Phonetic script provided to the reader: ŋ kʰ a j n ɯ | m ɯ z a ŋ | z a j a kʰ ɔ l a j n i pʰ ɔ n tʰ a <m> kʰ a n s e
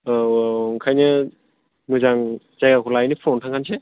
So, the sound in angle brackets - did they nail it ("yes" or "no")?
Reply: no